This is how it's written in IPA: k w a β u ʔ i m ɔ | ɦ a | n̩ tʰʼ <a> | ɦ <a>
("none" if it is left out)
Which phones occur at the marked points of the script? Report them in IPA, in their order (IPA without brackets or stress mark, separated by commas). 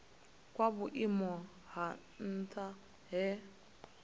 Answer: a, ɛ